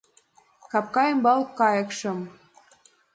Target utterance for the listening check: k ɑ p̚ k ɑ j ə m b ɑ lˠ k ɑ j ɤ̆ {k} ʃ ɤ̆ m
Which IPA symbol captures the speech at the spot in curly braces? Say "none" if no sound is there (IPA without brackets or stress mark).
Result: k